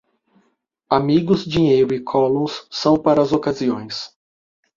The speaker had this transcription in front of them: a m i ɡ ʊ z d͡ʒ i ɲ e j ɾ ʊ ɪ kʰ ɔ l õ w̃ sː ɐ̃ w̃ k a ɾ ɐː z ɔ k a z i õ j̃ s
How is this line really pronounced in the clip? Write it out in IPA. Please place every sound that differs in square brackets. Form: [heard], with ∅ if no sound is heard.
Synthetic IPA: a m i ɡ ʊ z d͡ʒ i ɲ e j ɾ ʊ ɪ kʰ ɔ l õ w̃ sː ɐ̃ w̃ [p] a ɾ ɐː z [o] k a z i õ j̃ s